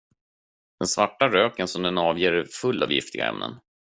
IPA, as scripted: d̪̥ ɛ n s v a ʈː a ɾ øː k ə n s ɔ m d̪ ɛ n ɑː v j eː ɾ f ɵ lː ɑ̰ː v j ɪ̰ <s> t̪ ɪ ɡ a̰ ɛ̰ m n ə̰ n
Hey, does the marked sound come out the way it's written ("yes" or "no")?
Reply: no